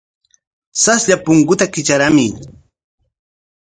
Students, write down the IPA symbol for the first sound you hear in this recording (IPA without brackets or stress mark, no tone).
s